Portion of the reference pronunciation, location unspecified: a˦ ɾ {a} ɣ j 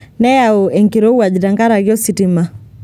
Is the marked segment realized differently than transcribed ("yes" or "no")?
no